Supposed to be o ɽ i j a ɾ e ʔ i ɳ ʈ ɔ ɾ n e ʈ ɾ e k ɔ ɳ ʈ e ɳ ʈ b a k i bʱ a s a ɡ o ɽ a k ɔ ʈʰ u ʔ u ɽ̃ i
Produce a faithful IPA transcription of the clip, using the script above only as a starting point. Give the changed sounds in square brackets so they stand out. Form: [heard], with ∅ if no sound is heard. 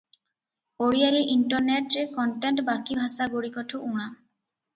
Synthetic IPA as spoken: o ɽ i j a ɾ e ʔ i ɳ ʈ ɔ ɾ n e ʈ ɾ e k ɔ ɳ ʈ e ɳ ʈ b a k i bʱ a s a ɡ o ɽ [i] k ɔ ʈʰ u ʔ u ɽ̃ [a]